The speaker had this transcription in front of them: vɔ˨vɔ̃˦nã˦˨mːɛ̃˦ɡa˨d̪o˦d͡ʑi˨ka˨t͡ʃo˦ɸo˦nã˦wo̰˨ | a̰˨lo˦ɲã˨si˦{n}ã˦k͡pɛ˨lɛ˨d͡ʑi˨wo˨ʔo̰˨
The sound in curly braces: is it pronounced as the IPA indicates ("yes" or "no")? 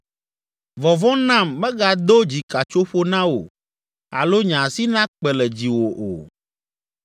yes